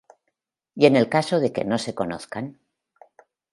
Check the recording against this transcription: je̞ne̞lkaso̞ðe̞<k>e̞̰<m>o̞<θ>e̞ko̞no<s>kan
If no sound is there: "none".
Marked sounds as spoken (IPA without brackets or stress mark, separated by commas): k, n, s, θ